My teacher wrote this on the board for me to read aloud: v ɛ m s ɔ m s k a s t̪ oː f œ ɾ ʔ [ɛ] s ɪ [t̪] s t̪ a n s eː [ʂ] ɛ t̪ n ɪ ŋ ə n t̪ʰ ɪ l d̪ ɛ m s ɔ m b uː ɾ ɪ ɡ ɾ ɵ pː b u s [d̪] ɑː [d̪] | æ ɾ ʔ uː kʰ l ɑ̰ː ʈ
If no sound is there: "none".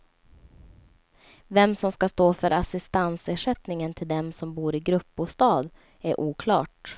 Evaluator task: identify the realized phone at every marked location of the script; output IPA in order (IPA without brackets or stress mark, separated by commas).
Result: a, none, ʂ, t̪, d̪